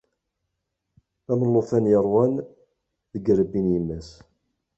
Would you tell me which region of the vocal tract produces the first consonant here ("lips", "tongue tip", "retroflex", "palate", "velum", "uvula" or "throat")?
lips